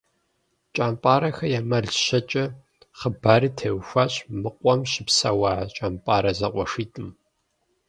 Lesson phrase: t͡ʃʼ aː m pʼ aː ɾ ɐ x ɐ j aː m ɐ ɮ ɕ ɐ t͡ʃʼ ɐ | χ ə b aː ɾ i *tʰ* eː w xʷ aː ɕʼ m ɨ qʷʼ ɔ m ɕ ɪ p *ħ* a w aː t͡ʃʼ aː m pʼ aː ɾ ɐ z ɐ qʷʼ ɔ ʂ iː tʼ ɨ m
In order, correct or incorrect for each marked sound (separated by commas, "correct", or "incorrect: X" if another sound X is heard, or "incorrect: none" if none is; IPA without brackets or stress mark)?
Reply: correct, incorrect: s